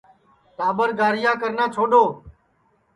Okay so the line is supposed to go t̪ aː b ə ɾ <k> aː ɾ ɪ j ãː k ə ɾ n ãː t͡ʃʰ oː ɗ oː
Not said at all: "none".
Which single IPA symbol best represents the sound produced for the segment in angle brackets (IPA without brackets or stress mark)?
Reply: ɡ